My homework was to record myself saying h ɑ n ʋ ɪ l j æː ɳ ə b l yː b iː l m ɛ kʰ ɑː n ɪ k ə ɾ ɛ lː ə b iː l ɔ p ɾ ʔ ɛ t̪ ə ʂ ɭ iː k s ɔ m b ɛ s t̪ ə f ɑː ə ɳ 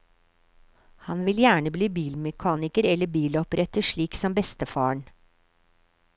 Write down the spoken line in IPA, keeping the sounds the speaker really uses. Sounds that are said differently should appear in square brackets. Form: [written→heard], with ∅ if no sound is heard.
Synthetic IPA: h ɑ n ʋ ɪ l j æː ɳ ə b l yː b iː l m ɛ kʰ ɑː n ɪ k ə ɾ ɛ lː ə b iː l ɔ p ɾ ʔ ɛ t̪ ə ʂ ɭ iː k s ɔ m b ɛ s t̪ ə f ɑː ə ɳ